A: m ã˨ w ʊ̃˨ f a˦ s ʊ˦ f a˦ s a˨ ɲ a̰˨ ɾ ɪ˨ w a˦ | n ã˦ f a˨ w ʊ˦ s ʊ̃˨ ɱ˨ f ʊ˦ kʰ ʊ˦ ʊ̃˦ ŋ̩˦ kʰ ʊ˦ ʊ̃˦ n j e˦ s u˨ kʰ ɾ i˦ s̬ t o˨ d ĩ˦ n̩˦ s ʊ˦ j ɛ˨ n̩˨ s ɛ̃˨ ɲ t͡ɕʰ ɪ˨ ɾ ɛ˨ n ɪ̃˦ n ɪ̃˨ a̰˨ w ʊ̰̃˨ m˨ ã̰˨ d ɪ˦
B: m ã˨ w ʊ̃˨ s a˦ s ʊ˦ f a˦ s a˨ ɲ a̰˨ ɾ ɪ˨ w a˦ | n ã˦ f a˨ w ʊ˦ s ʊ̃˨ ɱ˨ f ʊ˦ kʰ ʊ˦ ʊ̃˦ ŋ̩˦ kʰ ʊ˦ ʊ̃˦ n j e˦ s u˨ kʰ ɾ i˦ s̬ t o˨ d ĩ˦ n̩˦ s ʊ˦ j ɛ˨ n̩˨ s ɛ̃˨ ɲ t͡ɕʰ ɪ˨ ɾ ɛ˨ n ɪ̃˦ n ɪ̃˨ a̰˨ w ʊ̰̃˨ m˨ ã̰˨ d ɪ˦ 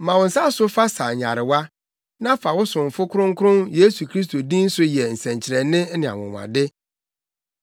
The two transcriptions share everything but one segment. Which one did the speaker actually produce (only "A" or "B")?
B